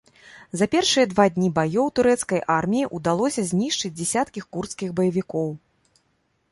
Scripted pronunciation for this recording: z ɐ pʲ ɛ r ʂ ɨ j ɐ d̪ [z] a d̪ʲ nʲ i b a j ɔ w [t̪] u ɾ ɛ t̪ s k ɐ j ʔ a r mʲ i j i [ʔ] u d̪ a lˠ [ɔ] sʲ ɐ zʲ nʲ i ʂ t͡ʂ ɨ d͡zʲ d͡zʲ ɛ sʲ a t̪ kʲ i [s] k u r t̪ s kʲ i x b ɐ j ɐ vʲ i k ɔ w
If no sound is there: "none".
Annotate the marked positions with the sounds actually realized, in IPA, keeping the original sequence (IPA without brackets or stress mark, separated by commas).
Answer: v, t̪, ʔ, ɔ, x